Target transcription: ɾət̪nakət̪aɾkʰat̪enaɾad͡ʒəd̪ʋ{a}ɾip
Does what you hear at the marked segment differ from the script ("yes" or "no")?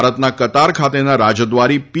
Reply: no